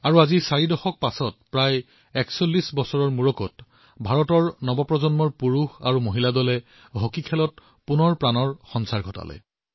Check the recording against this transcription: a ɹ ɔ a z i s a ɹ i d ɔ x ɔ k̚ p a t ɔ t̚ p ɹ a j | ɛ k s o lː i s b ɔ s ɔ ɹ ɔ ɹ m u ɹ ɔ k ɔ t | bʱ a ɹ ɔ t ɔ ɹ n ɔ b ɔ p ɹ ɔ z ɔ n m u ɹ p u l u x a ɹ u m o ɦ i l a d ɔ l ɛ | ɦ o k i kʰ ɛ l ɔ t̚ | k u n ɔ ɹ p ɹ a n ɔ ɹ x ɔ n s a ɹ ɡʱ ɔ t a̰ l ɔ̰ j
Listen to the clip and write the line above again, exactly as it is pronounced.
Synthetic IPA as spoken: a ɹ u a z i s a ɹ i d ɔ x ɔ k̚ p a s ɔ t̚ p ɹ a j | ɛ k s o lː i s b ɔ s ɔ ɹ ɔ ɹ m u ɹ ɔ k ɔ t | bʱ a ɹ ɔ t ɔ ɹ n ɔ b ɔ p ɹ ɔ z ɔ n m ɔ ɹ p u ɹ u x a ɹ u m o ɦ i l a d ɔ l ɛ | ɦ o k i kʰ ɛ l ɔ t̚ | p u n ɔ ɹ p ɹ a n ɔ ɹ x ɔ n s a ɹ ɡʱ ɔ t a̰ l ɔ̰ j